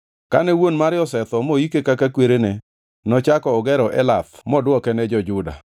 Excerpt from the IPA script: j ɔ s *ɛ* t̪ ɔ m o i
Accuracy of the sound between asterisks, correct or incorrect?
correct